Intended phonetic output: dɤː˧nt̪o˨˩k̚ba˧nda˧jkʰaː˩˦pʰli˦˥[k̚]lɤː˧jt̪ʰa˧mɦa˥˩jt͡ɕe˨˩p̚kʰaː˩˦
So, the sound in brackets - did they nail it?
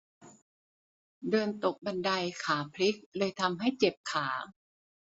yes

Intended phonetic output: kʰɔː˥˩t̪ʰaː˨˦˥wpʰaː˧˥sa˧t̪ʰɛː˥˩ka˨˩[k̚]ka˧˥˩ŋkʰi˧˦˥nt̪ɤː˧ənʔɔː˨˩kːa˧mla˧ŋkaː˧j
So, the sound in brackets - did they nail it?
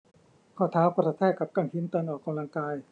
no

